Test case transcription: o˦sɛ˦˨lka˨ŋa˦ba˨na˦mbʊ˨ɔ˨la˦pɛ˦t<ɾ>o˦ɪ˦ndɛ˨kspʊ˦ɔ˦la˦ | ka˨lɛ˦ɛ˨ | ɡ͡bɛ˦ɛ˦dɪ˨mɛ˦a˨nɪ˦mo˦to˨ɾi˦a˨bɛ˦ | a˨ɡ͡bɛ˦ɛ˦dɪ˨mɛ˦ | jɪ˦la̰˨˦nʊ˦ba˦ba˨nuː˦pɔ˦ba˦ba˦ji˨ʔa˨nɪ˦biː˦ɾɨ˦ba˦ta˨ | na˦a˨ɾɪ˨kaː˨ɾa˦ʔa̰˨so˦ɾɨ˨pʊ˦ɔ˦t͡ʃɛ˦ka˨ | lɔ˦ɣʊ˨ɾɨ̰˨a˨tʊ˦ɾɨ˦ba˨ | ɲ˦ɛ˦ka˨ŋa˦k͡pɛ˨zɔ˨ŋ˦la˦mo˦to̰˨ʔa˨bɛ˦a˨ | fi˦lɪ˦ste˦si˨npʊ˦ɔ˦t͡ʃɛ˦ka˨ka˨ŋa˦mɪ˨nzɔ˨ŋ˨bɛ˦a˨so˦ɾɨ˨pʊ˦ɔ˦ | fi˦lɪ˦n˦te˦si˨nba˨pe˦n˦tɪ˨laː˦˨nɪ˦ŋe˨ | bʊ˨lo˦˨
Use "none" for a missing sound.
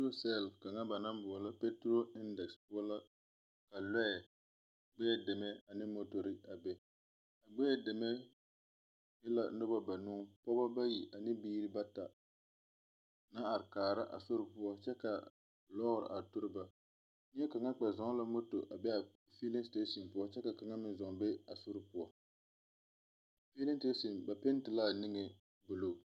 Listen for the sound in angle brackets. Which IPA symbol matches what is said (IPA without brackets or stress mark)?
ɾ